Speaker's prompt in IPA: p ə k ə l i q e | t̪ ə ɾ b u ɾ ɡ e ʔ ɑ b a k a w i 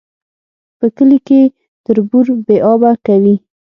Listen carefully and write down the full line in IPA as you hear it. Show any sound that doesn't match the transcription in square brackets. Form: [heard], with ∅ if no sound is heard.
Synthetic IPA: p ə k ə l i [k] e | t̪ ə ɾ b u ɾ [b] e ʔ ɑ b a k a w i